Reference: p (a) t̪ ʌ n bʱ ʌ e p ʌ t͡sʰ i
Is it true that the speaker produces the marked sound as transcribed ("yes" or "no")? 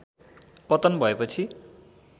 no